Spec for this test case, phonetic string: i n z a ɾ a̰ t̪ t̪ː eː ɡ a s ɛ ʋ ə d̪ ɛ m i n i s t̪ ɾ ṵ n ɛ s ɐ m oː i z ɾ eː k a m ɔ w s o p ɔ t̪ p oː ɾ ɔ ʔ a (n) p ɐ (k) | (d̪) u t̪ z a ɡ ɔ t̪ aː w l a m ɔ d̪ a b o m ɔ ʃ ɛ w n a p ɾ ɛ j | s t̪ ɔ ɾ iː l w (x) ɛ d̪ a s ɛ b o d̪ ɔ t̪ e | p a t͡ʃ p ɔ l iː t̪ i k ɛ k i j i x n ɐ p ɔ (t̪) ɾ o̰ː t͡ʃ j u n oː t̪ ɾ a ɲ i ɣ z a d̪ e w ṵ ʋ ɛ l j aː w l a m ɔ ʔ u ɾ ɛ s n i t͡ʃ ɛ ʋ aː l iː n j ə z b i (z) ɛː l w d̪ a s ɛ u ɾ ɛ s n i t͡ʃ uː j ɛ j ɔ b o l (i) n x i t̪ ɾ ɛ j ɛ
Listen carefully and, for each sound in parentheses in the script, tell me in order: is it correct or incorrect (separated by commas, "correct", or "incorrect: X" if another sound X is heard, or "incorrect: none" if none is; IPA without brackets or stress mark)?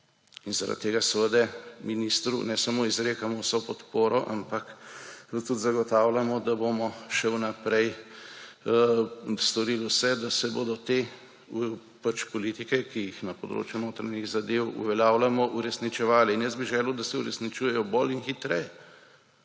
incorrect: m, correct, incorrect: t̪, incorrect: s, incorrect: d̪, incorrect: ʒ, correct